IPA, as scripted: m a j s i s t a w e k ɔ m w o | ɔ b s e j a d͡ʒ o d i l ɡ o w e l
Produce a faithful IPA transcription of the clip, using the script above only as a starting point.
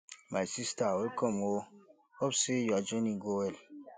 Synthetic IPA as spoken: m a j s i s t a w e k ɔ m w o | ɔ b s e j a d͡ʒ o n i ɡ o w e l